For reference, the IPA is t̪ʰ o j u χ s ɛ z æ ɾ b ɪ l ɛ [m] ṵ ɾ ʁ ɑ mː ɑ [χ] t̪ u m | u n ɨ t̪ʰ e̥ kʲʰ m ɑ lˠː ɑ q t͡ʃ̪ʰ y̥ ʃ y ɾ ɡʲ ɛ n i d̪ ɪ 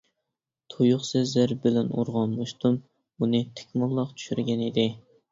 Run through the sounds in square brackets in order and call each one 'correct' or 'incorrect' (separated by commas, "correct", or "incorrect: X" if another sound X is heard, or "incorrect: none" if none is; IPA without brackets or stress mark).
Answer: incorrect: n, incorrect: ʃ